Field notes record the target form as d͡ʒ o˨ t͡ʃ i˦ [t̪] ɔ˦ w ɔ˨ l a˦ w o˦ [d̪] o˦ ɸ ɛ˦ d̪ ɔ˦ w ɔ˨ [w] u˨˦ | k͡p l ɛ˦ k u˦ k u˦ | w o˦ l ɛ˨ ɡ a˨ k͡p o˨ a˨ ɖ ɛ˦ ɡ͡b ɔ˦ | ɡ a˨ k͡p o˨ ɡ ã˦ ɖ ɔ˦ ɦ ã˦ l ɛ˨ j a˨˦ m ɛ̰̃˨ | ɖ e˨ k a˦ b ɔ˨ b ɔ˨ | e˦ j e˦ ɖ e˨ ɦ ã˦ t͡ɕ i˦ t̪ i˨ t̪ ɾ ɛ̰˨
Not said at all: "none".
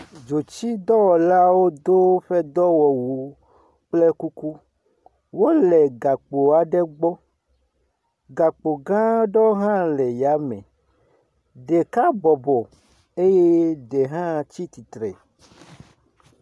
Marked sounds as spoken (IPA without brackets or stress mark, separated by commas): d̪, d̪, w